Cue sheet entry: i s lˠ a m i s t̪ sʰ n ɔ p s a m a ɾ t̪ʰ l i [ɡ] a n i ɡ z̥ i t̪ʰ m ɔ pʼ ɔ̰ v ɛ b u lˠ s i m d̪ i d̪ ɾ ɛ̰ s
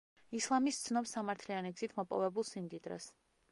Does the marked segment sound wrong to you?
yes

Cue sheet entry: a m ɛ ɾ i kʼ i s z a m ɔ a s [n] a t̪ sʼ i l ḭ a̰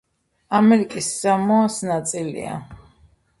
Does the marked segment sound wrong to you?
no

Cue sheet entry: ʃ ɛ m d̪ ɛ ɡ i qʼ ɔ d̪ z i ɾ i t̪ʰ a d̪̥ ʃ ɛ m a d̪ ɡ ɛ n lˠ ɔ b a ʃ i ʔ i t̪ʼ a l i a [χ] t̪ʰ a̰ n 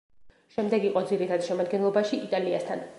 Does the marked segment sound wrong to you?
yes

